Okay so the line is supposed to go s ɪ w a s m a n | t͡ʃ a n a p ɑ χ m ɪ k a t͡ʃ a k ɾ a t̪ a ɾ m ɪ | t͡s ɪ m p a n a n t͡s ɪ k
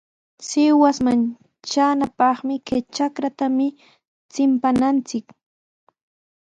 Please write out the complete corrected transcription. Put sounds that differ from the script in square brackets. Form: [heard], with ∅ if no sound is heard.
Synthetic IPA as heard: s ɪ w a s m a n | t͡ʃ a n a p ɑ χ m ɪ k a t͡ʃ a k ɾ a t̪ a [∅] m ɪ | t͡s ɪ m p a n a n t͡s ɪ k